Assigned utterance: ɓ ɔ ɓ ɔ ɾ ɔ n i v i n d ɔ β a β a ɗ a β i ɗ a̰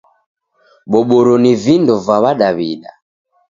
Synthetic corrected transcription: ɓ ɔ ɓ ɔ ɾ ɔ n i v i n d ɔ v a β a ɗ a β i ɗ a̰